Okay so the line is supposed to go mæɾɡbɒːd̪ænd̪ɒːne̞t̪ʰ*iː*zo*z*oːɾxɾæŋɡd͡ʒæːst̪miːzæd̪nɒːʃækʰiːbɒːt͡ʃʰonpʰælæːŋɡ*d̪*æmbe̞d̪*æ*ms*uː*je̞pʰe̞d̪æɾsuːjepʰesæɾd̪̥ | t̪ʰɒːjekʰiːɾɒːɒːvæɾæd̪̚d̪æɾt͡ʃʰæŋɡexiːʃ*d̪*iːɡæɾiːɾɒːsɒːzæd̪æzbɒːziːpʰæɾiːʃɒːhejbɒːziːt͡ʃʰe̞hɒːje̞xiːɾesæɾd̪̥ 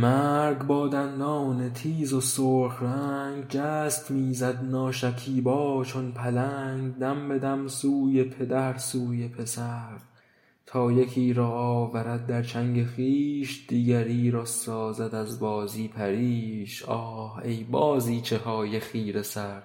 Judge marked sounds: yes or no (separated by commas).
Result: yes, no, yes, yes, yes, yes